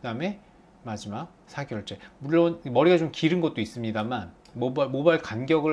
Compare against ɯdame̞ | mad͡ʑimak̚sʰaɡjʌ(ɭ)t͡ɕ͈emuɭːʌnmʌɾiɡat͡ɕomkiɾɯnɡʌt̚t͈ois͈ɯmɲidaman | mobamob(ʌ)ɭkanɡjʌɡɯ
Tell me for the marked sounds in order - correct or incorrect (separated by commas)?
correct, incorrect